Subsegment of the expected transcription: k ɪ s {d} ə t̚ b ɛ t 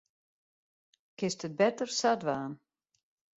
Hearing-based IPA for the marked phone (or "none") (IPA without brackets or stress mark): t